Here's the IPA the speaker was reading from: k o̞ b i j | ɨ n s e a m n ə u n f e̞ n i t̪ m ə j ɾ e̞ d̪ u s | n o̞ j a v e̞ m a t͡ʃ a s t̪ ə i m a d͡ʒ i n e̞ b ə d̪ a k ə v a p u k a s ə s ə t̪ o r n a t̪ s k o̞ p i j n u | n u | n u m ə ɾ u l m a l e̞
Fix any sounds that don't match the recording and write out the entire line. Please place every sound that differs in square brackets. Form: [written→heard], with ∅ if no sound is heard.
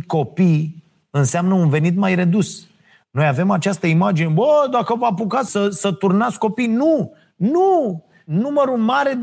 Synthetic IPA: k o̞ [b→p] i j | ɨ n s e a m n ə u n [f→v] e̞ n i t̪ m [ə→a] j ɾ e̞ d̪ u s | n o̞ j a v e̞ m a t͡ʃ a s t̪ ə i m a d͡ʒ i n e̞ b ə d̪ a k ə v a p u k a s ə s ə t̪ [o→u] r n a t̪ s k o̞ p i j n u | n u | n u m ə ɾ u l m a [l→ɾ] e̞